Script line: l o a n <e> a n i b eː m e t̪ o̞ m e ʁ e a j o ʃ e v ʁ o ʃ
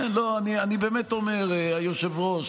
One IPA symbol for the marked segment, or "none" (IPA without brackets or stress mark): i